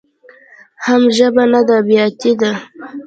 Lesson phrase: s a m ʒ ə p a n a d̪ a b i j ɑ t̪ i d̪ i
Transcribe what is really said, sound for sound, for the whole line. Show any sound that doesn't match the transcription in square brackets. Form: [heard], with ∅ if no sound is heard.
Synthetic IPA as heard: [h] a m ʒ ə [b] a n a d̪ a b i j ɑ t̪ i d̪ [a]